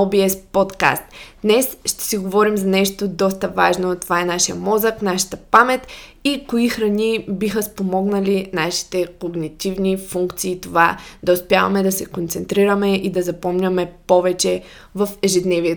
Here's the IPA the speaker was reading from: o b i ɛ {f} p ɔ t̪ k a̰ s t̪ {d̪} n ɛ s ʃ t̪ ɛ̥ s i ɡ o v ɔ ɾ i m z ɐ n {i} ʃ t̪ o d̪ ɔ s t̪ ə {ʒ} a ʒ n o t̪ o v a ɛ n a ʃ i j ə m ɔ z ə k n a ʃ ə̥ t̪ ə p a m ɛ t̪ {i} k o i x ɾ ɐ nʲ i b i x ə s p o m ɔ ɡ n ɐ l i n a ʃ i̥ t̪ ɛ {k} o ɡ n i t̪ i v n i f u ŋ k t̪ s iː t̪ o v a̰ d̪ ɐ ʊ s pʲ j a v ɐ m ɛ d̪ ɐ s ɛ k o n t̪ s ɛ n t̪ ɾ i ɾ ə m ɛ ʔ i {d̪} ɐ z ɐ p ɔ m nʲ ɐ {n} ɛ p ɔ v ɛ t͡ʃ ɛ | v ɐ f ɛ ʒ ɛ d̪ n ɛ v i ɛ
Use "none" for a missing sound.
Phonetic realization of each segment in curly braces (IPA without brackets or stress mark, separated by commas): s, d̪, ɛ, v, i, k, d̪, m